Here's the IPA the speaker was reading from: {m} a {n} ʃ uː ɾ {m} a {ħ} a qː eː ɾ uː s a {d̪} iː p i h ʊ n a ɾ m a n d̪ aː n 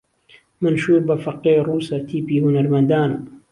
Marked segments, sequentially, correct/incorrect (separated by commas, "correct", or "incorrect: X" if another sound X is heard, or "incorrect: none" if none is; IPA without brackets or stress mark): correct, correct, incorrect: b, incorrect: f, incorrect: t̪